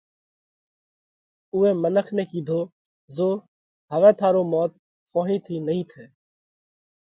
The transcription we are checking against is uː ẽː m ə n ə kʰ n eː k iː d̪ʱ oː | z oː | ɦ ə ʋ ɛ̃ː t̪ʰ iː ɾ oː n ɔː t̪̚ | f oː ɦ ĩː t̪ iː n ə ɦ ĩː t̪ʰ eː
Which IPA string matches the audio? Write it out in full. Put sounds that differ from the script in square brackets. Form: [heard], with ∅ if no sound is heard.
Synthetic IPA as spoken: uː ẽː m ə n ə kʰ n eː k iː d̪ʱ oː | z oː | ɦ ə ʋ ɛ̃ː t̪ʰ [aː] ɾ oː [m] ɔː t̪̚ | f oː ɦ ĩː [t̪ʰ] iː n ə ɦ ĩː t̪ʰ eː